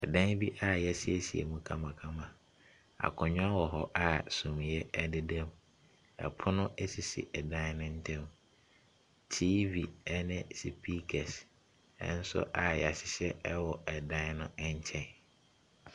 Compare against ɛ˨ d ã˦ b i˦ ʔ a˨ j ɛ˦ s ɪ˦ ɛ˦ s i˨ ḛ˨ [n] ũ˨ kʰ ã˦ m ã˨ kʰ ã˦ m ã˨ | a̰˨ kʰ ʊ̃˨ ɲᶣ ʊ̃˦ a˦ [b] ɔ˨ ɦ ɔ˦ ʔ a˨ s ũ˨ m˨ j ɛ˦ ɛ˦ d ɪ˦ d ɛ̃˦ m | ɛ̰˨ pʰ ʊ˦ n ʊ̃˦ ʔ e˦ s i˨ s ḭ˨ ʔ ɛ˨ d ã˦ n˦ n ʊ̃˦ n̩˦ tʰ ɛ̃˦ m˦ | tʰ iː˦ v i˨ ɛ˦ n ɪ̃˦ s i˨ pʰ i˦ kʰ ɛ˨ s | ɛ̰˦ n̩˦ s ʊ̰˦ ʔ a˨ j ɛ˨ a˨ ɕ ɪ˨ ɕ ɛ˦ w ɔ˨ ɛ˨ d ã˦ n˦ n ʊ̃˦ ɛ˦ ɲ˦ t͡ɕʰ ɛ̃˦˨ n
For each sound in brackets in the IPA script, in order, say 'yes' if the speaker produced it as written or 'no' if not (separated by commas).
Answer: no, no